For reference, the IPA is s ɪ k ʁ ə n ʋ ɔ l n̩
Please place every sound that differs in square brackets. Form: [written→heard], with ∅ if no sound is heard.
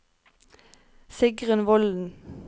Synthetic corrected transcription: s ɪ [k→ɡ] ʁ ə n ʋ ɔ l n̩